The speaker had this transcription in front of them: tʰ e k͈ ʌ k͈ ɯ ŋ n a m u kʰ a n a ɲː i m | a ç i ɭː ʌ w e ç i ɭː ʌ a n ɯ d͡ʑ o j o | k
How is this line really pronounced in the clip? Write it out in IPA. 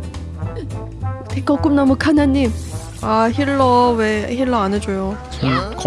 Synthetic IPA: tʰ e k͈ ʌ k͈ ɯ m n a m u kʰ a n a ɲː i m | a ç i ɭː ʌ w e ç i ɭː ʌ a n ɯ d͡ʑ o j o | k